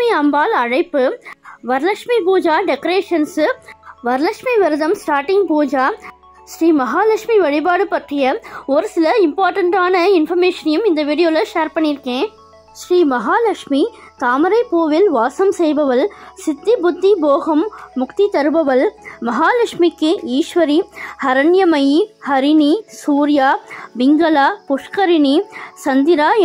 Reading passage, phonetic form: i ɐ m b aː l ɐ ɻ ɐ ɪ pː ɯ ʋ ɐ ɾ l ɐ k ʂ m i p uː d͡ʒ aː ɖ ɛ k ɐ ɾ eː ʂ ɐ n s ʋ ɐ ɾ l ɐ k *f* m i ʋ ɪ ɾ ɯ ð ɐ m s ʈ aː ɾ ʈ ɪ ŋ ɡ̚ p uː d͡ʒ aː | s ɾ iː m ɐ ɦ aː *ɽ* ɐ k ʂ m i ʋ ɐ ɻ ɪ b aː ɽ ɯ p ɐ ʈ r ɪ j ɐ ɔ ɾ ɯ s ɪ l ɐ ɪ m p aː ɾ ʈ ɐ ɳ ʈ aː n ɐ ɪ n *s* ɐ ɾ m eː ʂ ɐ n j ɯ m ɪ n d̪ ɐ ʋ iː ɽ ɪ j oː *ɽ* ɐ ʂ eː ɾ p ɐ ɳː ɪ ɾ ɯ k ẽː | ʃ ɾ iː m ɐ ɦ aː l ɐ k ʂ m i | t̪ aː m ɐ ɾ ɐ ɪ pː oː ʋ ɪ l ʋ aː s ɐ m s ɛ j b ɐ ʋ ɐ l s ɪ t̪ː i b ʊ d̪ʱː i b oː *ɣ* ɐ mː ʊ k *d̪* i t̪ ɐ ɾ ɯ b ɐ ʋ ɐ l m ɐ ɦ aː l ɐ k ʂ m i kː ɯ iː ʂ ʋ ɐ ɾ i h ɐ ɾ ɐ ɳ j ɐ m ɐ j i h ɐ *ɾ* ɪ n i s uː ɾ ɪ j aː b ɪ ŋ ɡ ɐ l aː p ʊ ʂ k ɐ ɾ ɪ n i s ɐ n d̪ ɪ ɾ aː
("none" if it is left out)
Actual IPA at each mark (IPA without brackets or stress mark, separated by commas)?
ʂ, l, f, l, ɣ, t̪, ɾ